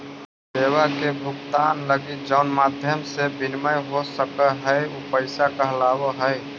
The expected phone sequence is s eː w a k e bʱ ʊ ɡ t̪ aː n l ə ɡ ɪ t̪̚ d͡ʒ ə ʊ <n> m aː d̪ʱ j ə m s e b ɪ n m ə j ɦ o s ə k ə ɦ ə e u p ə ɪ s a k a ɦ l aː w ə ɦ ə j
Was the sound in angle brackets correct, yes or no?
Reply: yes